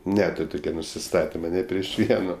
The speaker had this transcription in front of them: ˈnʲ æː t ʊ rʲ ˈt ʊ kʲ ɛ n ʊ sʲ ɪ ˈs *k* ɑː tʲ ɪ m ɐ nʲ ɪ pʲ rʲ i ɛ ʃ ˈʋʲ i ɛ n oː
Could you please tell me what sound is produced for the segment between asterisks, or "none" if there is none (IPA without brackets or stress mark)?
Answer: t